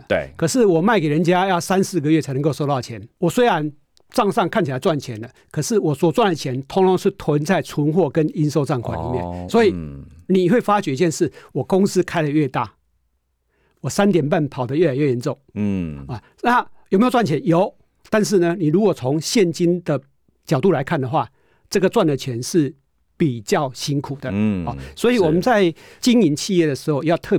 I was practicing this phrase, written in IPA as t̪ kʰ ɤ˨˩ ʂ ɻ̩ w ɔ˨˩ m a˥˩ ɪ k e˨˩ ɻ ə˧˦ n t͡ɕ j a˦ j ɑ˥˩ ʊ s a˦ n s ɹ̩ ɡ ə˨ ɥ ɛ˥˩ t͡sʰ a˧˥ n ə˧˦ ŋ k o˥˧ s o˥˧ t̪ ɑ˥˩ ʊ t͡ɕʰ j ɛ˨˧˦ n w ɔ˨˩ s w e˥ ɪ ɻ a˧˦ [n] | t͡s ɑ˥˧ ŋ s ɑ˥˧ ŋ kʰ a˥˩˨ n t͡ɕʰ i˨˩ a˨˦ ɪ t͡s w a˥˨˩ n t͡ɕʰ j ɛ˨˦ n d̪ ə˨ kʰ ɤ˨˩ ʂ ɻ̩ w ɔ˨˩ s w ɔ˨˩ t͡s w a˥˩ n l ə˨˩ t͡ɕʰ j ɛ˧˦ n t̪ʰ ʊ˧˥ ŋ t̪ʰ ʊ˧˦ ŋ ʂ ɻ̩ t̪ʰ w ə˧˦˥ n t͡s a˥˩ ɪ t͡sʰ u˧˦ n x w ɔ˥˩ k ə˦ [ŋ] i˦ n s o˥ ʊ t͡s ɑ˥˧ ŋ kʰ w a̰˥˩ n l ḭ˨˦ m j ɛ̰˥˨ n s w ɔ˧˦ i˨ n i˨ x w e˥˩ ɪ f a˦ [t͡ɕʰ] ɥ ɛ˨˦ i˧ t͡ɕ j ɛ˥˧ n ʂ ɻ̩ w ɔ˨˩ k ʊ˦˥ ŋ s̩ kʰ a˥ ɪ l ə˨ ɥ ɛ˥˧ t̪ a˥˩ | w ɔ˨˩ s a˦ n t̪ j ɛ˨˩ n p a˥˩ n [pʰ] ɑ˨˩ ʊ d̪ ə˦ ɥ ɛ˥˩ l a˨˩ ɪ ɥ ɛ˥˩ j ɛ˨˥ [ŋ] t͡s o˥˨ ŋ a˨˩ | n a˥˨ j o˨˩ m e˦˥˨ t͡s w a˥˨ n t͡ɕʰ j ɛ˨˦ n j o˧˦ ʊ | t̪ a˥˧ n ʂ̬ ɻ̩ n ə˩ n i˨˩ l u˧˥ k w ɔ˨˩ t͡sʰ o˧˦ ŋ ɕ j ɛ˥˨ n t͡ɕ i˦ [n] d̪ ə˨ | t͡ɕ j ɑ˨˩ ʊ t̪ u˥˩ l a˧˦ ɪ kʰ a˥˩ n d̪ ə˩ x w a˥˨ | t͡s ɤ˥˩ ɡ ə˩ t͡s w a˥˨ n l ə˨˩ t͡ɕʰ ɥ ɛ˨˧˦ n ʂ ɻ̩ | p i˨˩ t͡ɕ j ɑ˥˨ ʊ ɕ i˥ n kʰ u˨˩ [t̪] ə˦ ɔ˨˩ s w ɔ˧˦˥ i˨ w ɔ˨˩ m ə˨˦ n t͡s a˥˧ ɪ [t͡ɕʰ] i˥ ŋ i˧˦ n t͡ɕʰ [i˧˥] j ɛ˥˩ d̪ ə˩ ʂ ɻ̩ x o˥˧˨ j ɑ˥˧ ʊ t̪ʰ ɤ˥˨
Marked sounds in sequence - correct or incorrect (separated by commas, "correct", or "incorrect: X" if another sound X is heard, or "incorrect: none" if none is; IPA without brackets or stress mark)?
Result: correct, incorrect: n, incorrect: t͡ɕ, correct, incorrect: n, correct, incorrect: d̪, incorrect: t͡ɕ, incorrect: i˥˧